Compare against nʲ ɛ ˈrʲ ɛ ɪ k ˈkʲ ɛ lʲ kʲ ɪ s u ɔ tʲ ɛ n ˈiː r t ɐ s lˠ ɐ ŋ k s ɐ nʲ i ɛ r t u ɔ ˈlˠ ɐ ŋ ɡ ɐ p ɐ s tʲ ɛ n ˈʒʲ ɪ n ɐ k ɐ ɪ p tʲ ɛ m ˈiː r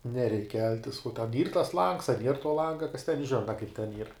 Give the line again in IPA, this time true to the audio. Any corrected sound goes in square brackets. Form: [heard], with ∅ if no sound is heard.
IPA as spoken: nʲ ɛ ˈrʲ ɛ ɪ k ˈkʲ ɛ lʲ [tʲ] ɪ s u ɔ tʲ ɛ n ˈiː r t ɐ s lˠ ɐ ŋ k s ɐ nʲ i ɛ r t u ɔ ˈlˠ ɐ ŋ ɡ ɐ [k] ɐ s tʲ ɛ n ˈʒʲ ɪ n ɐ k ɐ ɪ p tʲ ɛ [n] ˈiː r